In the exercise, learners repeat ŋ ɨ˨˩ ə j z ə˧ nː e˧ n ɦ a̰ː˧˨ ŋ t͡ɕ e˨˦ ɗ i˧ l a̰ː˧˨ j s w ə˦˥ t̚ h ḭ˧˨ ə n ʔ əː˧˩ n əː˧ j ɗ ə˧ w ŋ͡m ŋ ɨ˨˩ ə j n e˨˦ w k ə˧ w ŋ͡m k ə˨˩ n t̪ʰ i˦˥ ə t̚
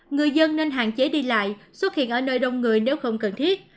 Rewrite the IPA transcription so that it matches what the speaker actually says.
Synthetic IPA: ŋ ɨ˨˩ ə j z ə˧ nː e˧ n ɦ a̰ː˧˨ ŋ t͡ɕ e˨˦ ɗ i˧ l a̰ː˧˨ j s w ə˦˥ t̚ h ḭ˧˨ ə n ʔ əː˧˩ n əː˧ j ɗ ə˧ w ŋ͡m ŋ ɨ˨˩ ə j n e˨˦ w x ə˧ w ŋ͡m k ə˨˩ n t̪ʰ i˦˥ ə t̚